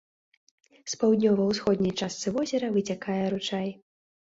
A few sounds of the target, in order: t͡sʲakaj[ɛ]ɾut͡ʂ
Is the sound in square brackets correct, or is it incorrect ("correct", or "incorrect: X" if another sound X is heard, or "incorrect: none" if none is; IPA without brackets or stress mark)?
correct